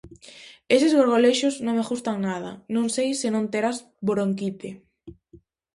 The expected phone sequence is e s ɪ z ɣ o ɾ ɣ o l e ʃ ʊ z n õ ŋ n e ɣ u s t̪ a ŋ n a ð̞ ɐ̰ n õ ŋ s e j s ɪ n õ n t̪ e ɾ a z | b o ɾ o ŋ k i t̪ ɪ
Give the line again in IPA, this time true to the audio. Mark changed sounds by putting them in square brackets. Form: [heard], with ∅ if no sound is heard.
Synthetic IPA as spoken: e s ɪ z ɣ o ɾ ɣ o l e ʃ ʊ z n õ ŋ [m] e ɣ u s t̪ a ŋ n a ð̞ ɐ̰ n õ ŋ s e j s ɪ n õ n t̪ e ɾ a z | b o ɾ o ŋ k i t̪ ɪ